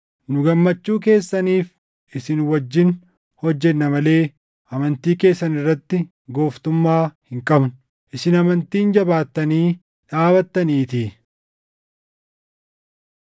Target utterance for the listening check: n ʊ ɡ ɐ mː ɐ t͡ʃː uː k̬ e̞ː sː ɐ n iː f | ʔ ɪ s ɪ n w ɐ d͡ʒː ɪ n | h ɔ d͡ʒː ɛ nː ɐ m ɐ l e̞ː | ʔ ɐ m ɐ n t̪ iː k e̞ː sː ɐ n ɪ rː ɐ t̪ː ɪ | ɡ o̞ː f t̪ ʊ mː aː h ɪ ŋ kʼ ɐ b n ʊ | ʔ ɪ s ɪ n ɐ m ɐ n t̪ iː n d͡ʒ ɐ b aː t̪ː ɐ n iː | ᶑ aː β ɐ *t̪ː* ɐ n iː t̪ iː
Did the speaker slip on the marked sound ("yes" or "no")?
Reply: no